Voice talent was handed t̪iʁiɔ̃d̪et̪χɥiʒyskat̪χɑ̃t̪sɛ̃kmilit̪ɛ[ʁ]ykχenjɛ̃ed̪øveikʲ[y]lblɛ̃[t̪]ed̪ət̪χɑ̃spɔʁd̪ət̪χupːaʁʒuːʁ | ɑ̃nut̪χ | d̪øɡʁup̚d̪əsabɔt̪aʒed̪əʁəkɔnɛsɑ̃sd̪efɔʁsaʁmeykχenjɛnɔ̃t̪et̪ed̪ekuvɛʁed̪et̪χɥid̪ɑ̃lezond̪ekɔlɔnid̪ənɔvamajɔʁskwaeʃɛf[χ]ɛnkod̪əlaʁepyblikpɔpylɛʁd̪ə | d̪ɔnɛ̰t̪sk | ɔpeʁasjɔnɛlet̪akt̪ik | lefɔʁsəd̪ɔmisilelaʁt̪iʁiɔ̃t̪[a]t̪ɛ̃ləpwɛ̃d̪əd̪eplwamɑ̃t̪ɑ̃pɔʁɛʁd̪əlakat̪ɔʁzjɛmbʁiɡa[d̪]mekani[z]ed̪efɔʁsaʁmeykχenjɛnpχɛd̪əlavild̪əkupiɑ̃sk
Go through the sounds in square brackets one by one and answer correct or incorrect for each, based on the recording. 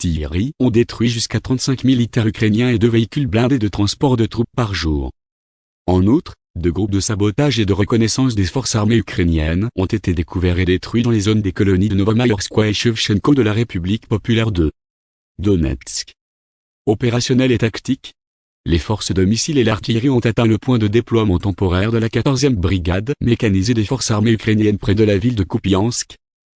correct, correct, incorrect: d̪, incorrect: ʃ, correct, correct, correct

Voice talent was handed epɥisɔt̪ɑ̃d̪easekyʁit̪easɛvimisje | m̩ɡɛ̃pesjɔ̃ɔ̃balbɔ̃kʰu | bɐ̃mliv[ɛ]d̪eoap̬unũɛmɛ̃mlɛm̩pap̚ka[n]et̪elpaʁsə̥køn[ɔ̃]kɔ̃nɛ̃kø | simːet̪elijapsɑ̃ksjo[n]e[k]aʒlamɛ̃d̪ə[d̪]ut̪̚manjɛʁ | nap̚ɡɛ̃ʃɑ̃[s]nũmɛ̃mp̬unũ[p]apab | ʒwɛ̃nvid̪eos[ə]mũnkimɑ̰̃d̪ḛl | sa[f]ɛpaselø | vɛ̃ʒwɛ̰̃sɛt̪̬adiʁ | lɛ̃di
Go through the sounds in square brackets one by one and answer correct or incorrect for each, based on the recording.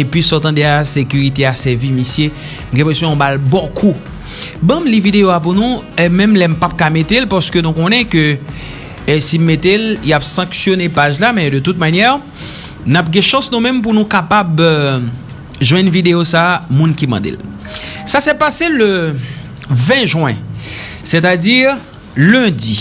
incorrect: i, incorrect: m, incorrect: ũ, correct, incorrect: p, incorrect: t̪, correct, incorrect: k, incorrect: a, incorrect: s

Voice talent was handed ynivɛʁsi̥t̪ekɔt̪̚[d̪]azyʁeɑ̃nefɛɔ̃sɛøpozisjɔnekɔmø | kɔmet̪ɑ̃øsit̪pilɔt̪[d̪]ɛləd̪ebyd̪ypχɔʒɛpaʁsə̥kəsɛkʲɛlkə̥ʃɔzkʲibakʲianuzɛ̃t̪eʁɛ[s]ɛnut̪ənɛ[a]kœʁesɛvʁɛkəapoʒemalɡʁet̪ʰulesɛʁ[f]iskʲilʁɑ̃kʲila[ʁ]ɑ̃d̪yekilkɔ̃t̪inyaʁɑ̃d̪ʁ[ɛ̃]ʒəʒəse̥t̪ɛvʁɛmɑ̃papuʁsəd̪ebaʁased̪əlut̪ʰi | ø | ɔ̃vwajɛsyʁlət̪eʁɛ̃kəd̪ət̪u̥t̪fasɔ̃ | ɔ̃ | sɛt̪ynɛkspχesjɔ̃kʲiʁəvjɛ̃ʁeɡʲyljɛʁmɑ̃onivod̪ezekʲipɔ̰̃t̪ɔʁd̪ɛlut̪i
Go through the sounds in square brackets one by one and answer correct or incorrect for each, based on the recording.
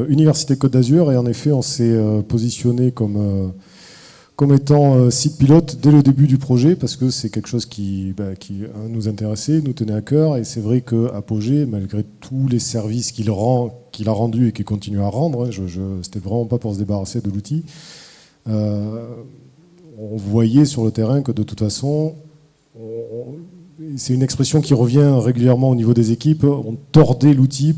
correct, correct, correct, correct, incorrect: v, correct, correct

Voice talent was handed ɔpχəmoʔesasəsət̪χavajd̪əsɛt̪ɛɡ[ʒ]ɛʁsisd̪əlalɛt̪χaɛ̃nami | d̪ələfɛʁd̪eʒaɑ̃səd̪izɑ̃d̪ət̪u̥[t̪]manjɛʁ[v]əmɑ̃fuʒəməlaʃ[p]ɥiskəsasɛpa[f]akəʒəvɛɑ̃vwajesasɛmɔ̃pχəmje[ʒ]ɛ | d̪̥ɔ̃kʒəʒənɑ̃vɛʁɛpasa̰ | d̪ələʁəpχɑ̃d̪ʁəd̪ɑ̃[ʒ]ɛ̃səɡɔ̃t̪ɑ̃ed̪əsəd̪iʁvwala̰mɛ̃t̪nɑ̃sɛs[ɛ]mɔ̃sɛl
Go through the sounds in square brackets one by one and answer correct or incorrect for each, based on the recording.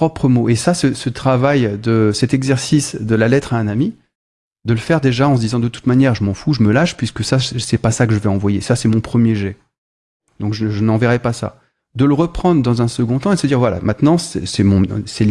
incorrect: z, correct, incorrect: ʒ, correct, incorrect: s, correct, incorrect: z, correct

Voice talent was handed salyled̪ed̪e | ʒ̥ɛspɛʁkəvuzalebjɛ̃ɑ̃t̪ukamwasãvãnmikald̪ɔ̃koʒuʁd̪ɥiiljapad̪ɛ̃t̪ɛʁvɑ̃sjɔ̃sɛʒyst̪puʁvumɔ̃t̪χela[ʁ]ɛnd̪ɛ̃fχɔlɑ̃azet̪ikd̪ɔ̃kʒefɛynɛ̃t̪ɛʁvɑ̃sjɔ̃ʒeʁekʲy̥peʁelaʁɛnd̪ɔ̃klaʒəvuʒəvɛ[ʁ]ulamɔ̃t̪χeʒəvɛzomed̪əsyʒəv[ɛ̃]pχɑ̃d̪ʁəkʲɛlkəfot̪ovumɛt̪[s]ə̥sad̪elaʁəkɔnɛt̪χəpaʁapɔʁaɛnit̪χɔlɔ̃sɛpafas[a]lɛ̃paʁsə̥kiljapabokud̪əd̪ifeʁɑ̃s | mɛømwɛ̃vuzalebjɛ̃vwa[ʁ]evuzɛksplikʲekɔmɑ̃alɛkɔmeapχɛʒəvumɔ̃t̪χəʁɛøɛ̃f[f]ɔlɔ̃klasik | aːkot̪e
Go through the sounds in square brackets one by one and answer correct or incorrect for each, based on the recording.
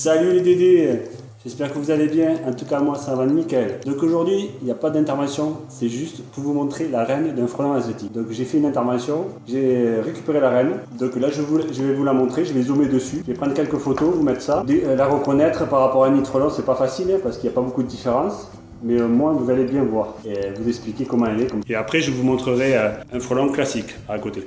correct, incorrect: v, incorrect: ɛ, incorrect: χ, incorrect: i, correct, incorrect: χ

